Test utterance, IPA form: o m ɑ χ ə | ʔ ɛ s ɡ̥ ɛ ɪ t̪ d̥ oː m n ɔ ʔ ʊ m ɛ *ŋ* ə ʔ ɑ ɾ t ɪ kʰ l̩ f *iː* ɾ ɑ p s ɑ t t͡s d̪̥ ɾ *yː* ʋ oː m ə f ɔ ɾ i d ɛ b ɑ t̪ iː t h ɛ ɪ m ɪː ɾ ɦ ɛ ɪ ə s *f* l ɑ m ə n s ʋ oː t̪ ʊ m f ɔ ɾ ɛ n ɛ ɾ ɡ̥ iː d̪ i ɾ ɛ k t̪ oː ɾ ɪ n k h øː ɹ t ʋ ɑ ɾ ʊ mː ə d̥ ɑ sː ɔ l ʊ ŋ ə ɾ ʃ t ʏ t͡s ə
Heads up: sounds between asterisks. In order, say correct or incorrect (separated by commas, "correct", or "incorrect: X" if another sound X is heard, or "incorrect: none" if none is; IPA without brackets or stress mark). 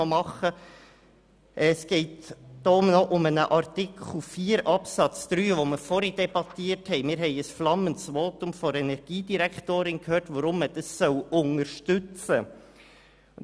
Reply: incorrect: n, correct, correct, correct